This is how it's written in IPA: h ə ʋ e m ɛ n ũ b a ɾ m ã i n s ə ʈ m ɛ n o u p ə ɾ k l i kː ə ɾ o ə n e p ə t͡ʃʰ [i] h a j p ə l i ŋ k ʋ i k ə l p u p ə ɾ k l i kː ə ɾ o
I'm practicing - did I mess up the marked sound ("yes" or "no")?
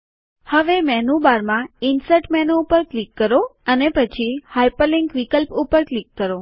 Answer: no